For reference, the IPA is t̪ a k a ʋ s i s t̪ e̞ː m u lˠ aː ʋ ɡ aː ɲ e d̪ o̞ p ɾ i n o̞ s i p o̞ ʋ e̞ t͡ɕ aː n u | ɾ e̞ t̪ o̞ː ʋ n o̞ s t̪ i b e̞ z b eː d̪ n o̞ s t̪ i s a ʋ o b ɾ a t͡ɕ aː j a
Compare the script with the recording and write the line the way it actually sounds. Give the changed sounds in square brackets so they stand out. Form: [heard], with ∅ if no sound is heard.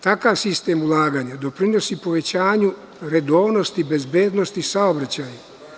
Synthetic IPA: t̪ a k a ʋ s i s t̪ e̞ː m u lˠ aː [∅] ɡ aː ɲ [a] d̪ o̞ p ɾ i n o̞ s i p o̞ ʋ e̞ t͡ɕ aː [ɲ] u | ɾ e̞ [d̪] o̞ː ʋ n o̞ s t̪ i b e̞ z b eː d̪ n o̞ s t̪ i s a [∅] o b ɾ a t͡ɕ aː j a